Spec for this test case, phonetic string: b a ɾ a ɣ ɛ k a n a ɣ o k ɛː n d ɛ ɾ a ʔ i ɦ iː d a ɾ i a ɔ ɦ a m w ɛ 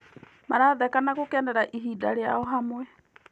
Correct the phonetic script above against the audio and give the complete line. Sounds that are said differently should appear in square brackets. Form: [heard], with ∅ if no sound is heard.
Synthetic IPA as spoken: [m] a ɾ a [ð] ɛ k a n a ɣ o k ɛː n d ɛ ɾ a ʔ i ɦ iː d a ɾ [e] a ɔ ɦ a m w ɛ